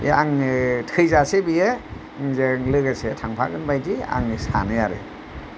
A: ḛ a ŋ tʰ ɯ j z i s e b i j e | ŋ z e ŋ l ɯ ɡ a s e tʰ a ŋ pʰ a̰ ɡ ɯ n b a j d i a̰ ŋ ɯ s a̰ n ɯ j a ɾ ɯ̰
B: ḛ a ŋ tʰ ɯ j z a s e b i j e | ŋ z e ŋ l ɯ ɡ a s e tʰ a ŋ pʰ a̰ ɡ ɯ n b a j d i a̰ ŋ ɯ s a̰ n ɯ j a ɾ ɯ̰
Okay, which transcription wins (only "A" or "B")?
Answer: B